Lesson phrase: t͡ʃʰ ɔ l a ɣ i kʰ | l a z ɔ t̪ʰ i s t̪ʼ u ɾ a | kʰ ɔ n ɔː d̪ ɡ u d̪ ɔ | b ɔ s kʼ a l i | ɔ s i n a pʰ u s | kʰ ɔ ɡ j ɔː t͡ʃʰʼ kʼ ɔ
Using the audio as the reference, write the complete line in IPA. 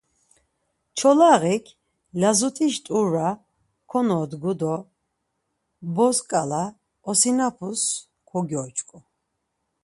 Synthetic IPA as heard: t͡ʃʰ ɔ l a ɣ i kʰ | l a z u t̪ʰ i ʃ t̪ʼ u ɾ a | kʰ ɔ n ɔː d̪ ɡ u d̪ ɔ | b ɔ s kʼ a l a | ɔ s i n a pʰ u s | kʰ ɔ ɡ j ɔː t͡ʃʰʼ kʼ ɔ